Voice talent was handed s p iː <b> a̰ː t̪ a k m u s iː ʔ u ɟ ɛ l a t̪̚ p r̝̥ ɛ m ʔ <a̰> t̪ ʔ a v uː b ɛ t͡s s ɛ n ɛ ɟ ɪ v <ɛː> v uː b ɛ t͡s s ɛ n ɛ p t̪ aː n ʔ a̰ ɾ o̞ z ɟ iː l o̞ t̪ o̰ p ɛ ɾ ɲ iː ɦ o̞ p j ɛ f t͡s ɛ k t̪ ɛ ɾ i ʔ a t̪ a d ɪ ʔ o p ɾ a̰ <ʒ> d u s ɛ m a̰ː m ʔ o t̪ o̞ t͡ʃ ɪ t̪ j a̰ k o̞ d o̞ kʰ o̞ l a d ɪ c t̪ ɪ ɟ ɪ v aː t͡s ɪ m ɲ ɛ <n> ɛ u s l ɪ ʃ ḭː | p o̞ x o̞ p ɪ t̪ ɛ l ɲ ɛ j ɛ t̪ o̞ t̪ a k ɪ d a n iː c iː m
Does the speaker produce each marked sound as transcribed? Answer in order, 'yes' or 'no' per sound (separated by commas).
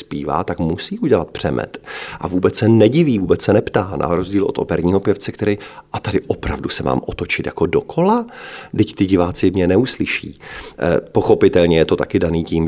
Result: no, no, no, no, yes